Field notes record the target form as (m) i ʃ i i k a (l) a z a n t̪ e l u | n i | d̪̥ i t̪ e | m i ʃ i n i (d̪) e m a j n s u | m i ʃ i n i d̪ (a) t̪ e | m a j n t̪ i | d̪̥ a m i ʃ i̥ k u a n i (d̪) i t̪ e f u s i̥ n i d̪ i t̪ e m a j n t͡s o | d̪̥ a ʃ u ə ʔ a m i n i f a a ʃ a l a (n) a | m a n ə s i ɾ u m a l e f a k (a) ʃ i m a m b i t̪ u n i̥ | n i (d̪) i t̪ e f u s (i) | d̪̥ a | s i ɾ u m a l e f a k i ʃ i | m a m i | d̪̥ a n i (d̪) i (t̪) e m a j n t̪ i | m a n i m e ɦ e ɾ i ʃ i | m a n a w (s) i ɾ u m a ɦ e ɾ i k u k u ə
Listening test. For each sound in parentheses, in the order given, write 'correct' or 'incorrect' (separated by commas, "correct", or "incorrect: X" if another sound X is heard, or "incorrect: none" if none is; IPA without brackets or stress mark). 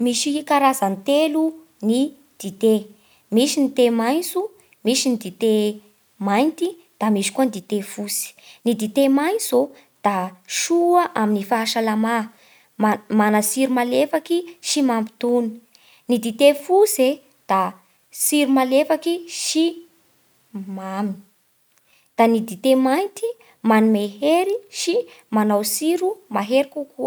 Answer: correct, incorrect: ɾ, incorrect: t̪, incorrect: i, correct, incorrect: m, incorrect: i, correct, incorrect: e, correct, correct, correct